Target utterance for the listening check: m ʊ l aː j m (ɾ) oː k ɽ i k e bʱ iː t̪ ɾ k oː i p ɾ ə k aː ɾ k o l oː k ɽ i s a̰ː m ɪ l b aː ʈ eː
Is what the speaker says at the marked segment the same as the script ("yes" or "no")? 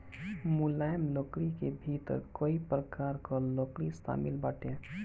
no